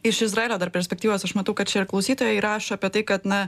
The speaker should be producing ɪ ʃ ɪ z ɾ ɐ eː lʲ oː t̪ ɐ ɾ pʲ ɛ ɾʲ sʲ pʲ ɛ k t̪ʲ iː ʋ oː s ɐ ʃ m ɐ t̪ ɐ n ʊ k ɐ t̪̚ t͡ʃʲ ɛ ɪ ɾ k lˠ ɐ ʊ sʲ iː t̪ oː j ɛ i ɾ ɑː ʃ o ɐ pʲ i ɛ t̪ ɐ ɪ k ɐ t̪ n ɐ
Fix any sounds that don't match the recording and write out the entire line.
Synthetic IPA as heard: ɪ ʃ ɪ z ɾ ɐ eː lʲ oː d̪ ɐ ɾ pʲ ɛ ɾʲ sʲ pʲ ɛ k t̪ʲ iː ʋ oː s ɐ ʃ m ɐ t̪ ɐ ʊ k ɐ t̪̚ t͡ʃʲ ɛ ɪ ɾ k lˠ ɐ ʊ sʲ iː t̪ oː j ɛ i ɾ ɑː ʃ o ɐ pʲ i ɛ t̪ ɐ ɪ k ɐ t̪ n ɐ